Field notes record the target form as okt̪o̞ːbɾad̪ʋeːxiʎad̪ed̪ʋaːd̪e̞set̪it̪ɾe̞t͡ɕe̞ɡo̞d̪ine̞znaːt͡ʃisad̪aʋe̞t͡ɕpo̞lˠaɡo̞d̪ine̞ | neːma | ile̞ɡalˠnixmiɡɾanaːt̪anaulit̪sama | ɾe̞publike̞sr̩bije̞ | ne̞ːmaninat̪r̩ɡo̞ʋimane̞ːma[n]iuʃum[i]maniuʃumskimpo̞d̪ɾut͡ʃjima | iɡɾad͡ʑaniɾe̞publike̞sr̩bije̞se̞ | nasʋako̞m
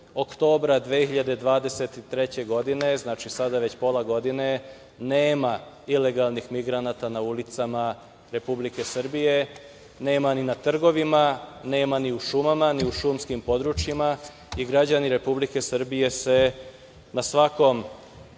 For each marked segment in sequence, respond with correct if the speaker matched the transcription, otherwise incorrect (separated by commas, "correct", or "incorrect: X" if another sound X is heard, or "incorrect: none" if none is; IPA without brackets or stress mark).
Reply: correct, incorrect: a